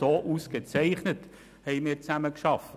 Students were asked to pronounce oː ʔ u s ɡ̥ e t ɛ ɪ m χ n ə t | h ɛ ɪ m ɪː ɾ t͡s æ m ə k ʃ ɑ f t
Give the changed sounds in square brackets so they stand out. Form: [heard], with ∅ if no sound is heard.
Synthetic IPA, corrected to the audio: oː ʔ u s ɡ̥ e [t͡s] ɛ ɪ [∅] χ n ə t | h ɛ ɪ m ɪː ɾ t͡s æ m ə k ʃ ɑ f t